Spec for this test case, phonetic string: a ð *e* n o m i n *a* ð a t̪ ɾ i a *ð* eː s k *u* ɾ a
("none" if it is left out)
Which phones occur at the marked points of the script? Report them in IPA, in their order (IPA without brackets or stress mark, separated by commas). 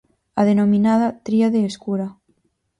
e, a, ð, u